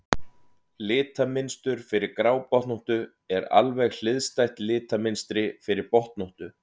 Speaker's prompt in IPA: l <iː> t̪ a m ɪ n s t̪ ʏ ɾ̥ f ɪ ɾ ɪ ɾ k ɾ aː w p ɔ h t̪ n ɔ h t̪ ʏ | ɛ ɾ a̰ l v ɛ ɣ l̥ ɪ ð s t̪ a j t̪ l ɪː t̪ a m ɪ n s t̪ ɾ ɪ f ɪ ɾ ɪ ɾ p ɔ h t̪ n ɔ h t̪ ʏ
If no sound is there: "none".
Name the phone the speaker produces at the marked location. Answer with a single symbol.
ɪː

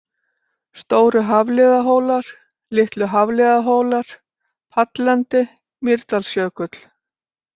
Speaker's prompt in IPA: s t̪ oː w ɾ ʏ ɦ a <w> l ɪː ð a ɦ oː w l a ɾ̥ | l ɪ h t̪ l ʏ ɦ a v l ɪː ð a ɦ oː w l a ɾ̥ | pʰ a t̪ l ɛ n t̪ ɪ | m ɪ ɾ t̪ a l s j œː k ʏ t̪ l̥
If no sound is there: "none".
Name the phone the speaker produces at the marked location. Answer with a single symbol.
v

